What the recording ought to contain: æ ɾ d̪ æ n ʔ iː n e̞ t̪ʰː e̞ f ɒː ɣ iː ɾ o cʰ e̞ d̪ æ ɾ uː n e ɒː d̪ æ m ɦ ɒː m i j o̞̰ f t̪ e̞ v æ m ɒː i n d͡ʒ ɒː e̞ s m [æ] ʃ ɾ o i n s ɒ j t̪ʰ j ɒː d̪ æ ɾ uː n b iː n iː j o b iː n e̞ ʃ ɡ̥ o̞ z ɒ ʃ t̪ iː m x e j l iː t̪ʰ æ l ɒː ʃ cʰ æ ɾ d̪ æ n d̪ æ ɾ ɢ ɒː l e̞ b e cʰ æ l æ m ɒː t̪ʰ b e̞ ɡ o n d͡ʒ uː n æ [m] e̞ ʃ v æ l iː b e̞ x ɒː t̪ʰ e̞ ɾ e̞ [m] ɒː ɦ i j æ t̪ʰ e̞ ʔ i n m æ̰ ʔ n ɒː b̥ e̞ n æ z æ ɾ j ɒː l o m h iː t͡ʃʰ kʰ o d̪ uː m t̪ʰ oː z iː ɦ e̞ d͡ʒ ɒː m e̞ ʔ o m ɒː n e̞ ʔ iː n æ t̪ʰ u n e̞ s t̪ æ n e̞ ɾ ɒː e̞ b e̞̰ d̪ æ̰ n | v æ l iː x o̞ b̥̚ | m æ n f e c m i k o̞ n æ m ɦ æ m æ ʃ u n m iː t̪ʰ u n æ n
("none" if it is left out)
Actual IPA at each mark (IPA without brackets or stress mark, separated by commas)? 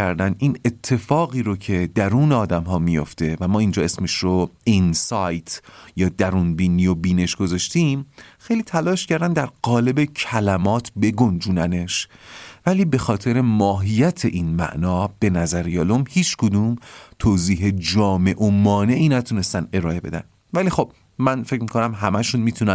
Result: e, n, m